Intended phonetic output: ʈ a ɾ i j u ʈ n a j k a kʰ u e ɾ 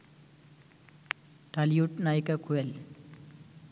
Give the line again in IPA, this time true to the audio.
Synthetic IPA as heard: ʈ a l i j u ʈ n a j k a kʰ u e l